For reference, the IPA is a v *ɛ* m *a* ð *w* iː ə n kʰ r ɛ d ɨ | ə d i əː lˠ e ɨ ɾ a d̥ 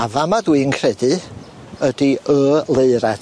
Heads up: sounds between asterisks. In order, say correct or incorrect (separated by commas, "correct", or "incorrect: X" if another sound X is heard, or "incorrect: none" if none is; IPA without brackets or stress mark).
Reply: incorrect: a, correct, correct